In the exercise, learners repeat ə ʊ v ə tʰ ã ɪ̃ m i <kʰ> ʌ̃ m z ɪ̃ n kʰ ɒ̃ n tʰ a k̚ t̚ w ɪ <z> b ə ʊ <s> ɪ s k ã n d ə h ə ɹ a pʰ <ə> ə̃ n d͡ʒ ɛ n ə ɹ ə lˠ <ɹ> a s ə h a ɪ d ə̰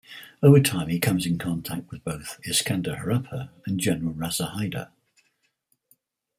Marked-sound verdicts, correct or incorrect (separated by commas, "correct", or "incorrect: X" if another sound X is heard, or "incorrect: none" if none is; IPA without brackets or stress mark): correct, incorrect: ð, incorrect: θ, correct, correct